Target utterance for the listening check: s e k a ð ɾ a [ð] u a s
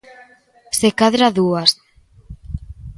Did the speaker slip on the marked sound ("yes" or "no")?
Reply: no